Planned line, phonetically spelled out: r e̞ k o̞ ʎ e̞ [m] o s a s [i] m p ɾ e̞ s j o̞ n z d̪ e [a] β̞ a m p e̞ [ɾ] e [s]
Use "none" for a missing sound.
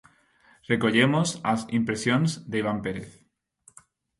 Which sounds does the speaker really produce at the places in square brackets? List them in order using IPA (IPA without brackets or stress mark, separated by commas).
m, i, i, ɾ, θ